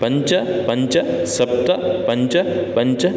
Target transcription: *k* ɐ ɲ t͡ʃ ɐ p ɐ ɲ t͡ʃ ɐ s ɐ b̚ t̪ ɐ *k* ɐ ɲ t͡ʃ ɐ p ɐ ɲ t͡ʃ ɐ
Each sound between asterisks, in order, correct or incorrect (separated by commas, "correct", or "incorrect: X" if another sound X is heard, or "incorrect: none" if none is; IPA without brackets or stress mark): incorrect: p, incorrect: p